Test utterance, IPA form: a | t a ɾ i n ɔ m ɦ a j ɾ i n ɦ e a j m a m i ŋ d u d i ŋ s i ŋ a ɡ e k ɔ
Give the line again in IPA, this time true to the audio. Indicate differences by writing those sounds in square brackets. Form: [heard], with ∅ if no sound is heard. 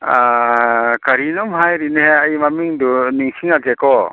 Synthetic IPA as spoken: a | [k] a ɾ i n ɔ m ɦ a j ɾ i n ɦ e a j m a m i ŋ d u [n] i ŋ s i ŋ a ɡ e k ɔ